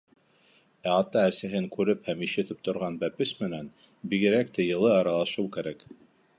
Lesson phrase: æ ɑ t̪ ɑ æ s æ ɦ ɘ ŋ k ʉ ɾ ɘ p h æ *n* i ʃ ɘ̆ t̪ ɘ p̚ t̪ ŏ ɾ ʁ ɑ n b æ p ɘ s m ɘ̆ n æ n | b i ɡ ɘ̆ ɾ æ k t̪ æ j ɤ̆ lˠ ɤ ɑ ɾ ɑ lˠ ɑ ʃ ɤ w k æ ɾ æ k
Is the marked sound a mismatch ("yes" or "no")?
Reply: yes